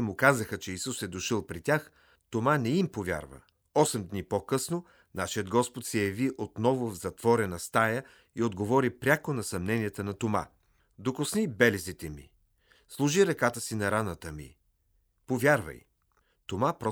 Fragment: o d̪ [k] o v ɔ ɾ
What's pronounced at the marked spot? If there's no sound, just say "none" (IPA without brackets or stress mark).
ɡ